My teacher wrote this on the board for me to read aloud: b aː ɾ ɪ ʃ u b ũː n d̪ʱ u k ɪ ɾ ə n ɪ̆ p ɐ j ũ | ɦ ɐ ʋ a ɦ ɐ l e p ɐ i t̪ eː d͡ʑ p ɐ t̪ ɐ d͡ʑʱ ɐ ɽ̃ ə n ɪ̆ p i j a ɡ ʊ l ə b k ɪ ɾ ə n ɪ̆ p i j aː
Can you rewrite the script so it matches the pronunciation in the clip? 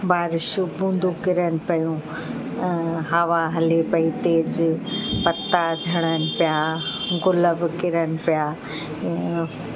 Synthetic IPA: b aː ɾ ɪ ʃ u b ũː n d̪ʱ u k ɪ ɾ ə n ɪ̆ p ɐ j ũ | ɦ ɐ ʋ a ɦ ɐ l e p ɐ i t̪ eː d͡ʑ p ɐ t̪ a d͡ʑʱ ɐ ɽ̃ ə n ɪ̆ p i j a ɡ ʊ l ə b k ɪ ɾ ə n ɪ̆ p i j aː